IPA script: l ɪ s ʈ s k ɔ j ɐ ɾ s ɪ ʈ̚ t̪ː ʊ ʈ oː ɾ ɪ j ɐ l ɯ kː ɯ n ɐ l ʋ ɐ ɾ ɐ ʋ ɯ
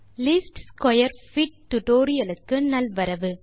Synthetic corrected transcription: l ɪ s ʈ s k ɔ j ɐ ɾ f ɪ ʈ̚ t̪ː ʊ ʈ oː ɾ ɪ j ɐ l ɯ kː ɯ n ɐ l ʋ ɐ ɾ ɐ ʋ ɯ